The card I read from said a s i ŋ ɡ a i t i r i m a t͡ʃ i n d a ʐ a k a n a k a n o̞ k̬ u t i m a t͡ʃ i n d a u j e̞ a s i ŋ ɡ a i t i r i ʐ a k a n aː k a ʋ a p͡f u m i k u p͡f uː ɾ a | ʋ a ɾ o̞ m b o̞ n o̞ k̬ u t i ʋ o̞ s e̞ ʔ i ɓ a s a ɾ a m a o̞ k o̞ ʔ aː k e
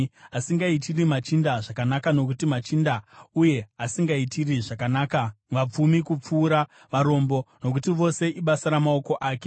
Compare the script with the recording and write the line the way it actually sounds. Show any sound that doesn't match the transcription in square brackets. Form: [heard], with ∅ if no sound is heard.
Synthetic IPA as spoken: a s i ŋ ɡ a i t i r i m a t͡ʃ i n d a ʐ a k a n a k a n o̞ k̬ u t i m a t͡ʃ i n d a u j e̞ a s i ŋ ɡ a i t i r i ʐ a k a n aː k a ʋ a p͡f u m i k u p͡f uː ɾ a | ʋ a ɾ o̞ m b o̞ n o̞ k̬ u t i ʋ o̞ s e̞ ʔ i ɓ a s a ɾ a m a o̞ k o̞ ʔ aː k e